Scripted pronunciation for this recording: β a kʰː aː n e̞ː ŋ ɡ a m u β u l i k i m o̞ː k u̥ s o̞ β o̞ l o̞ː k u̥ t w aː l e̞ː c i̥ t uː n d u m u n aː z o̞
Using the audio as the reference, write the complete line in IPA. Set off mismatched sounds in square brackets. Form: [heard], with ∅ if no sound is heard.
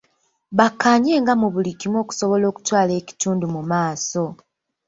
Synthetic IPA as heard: β a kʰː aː [ɲ] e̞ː ŋ ɡ a m u β u l i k i m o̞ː k u̥ s o̞ β o̞ l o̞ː k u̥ t w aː l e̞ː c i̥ t uː n d u m u [m] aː [s] o̞